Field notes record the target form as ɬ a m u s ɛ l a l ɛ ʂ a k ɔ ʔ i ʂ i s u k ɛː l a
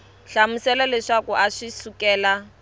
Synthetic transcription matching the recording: ɬ a m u s ɛ l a l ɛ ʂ a k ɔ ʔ a ʂ i s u k ɛː l a